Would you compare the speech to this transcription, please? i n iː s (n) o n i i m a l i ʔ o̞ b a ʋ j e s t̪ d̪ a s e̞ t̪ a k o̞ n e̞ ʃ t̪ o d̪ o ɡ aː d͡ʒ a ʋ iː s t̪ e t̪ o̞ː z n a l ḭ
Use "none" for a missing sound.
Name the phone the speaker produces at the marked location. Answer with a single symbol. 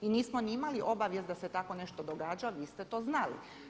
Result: m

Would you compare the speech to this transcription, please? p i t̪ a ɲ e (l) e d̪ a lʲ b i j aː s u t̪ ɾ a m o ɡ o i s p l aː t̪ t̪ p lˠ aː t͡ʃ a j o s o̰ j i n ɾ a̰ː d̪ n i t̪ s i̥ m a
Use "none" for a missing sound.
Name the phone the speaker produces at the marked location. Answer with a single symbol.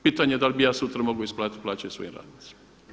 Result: none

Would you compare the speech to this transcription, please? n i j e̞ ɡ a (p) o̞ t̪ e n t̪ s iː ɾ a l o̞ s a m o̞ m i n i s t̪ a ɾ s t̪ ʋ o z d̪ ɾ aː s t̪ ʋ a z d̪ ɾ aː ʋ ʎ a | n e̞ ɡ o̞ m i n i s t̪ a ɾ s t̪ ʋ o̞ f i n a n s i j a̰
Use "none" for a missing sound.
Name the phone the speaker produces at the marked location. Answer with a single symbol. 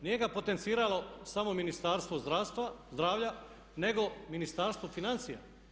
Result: p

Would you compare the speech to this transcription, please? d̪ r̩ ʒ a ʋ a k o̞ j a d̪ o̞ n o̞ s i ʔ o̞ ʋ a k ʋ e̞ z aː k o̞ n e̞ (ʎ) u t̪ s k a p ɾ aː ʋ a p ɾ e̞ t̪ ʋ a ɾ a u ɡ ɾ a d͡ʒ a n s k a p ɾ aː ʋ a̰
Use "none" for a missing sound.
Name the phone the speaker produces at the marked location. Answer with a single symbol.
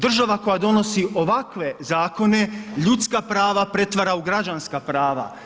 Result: ʎ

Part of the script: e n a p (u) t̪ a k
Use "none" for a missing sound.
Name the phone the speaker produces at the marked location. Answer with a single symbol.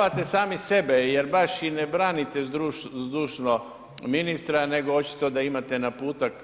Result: uː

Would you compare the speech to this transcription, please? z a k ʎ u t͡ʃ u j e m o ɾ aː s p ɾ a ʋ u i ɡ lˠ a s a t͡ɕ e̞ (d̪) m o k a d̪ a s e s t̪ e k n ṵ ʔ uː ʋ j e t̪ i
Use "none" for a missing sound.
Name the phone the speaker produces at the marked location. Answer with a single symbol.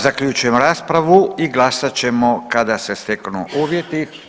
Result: none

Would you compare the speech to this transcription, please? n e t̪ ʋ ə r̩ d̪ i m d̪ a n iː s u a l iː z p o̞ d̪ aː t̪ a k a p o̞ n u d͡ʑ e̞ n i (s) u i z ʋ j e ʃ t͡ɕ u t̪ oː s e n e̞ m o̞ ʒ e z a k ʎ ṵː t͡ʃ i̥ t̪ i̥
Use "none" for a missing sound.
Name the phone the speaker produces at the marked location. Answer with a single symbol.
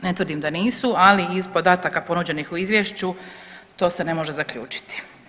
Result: x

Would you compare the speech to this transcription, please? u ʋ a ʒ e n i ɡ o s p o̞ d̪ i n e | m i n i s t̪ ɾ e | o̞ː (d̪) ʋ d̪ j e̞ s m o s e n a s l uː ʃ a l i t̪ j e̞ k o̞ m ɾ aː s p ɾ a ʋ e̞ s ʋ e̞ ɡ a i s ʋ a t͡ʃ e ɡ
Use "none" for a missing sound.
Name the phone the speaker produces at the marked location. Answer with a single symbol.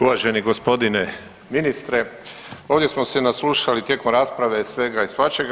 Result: none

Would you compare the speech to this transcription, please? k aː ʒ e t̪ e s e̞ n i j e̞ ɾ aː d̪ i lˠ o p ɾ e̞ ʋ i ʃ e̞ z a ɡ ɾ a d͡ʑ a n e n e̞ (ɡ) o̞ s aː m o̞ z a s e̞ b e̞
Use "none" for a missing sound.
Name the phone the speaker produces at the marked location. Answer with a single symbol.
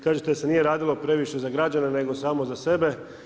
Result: ɡ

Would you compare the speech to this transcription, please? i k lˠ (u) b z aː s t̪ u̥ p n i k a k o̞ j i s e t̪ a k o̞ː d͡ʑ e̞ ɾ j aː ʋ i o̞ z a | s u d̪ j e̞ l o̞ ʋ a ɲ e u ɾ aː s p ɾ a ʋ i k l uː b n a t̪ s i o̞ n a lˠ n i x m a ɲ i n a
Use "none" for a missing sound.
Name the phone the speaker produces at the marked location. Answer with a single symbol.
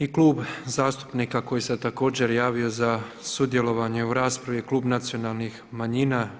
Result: uː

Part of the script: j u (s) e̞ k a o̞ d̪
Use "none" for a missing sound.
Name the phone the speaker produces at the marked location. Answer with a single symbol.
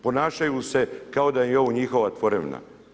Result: s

